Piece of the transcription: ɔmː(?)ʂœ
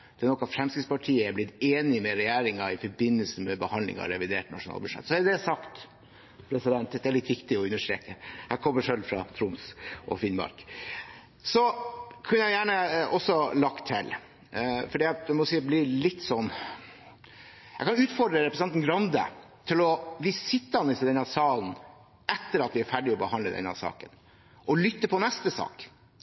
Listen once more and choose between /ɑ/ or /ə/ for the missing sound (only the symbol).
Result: ə